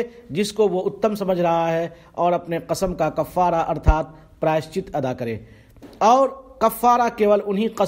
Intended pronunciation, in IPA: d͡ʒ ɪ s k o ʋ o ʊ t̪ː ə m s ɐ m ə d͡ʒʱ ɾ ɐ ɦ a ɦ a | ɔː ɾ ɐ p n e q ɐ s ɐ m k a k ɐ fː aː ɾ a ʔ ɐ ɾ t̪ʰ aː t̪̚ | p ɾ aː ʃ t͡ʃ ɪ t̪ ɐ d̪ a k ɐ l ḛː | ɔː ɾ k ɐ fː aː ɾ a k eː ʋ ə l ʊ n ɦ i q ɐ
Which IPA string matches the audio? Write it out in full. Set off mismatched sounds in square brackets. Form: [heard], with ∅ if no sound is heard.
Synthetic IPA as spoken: d͡ʒ ɪ s k o ʋ o ʊ t̪ː ə m s ɐ m ə d͡ʒʱ ɾ ɐ ɦ a ɦ [ɛ] | ɔː ɾ ɐ p n e q ɐ s [ə] m k a k ɐ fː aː ɾ a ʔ ɐ ɾ t̪ʰ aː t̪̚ | p ɾ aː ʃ t͡ʃ ɪ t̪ ɐ d̪ a k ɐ [ɾ] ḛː | ɔː ɾ k ɐ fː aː ɾ a k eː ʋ ə l ʊ n ɦ i q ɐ